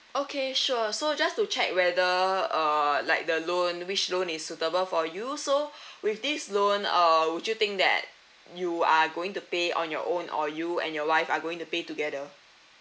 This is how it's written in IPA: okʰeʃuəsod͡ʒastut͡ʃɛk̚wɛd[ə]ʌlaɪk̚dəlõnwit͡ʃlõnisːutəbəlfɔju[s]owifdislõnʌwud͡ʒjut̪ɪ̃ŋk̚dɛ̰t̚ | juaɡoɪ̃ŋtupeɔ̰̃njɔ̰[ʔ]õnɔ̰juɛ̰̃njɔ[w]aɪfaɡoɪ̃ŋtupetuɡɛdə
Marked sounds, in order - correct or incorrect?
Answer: correct, correct, correct, correct

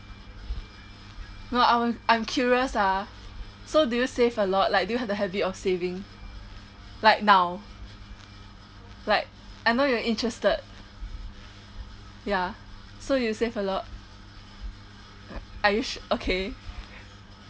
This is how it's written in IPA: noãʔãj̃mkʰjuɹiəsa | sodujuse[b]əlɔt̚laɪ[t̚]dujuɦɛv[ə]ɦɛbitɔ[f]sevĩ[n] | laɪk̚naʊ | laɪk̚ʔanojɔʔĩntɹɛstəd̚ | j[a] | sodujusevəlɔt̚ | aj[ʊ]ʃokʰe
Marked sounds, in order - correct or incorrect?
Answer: incorrect: v, incorrect: k̚, correct, correct, incorrect: ŋ, correct, incorrect: u

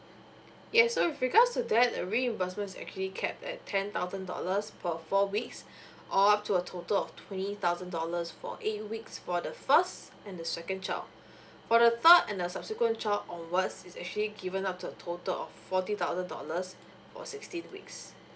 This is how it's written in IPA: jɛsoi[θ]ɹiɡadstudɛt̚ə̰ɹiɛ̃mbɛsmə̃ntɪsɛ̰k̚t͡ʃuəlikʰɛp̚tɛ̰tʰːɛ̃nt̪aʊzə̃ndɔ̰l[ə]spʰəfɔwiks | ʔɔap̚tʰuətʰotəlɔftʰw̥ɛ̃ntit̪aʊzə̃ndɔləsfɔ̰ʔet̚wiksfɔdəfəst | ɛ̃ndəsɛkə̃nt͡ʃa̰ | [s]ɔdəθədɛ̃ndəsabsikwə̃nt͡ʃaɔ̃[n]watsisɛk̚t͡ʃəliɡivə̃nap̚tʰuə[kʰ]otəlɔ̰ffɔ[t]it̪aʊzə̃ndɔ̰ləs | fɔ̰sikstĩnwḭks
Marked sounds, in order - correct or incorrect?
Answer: incorrect: f, correct, incorrect: f, correct, incorrect: tʰ, correct

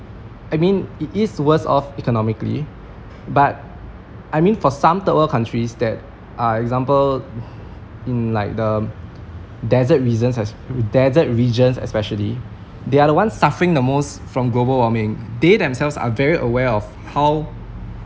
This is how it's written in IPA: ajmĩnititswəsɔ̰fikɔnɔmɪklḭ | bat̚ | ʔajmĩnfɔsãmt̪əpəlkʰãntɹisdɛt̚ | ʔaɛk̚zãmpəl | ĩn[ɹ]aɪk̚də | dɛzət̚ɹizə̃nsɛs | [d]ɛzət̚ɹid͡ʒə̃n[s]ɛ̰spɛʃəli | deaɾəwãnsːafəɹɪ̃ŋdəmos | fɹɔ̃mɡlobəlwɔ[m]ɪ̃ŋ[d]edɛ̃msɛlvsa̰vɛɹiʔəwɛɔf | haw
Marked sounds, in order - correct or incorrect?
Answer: incorrect: l, correct, correct, correct, correct

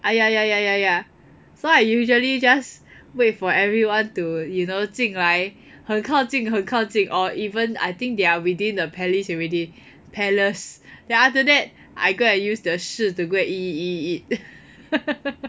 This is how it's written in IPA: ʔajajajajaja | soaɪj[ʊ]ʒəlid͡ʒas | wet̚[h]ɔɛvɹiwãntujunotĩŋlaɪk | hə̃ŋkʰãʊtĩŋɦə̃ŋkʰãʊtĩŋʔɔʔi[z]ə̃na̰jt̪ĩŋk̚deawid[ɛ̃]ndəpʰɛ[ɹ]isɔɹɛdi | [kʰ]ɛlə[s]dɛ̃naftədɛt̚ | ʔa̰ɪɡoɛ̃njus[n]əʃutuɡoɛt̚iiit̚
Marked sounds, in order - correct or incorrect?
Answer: incorrect: u, incorrect: f, incorrect: v, incorrect: ĩ, incorrect: l, incorrect: pʰ, correct, incorrect: d

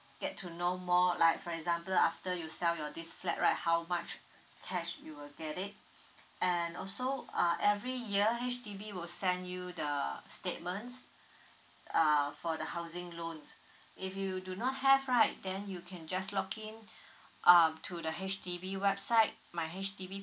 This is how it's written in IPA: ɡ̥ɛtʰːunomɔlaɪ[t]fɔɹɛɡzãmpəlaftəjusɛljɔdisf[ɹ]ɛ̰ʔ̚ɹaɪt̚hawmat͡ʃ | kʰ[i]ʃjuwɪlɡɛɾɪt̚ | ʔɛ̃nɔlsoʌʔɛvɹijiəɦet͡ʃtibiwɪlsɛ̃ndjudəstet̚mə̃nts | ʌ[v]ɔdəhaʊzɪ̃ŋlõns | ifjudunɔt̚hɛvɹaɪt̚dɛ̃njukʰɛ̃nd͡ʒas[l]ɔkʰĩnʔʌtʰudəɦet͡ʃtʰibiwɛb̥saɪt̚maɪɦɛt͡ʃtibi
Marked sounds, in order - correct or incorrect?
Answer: incorrect: k, incorrect: l, incorrect: ɛ, incorrect: f, correct

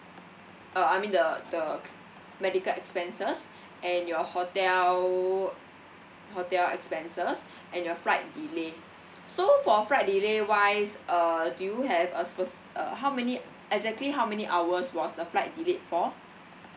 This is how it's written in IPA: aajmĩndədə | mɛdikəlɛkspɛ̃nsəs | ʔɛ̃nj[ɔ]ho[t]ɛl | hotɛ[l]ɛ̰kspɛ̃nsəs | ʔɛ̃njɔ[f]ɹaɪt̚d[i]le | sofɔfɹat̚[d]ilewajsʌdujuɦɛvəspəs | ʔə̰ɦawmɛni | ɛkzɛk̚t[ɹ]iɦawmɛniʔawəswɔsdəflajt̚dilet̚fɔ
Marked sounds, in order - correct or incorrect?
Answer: correct, correct, correct, correct, correct, correct, incorrect: l

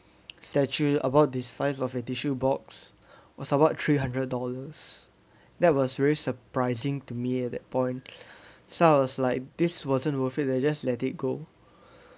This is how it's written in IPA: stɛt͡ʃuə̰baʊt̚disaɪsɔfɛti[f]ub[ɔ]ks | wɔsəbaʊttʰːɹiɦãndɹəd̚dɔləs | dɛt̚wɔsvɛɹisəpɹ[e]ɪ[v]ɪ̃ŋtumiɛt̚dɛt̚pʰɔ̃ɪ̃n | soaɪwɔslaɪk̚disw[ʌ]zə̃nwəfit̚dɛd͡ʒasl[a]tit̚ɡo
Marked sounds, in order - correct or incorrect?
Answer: incorrect: ʃ, correct, incorrect: a, incorrect: z, incorrect: ɔ, incorrect: ɛ

